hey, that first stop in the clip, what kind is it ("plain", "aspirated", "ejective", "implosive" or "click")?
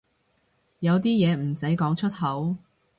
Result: plain